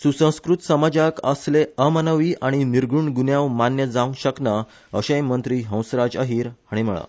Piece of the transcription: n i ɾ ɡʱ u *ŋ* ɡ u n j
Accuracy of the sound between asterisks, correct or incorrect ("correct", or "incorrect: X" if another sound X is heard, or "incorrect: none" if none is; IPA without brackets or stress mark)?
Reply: incorrect: ɳ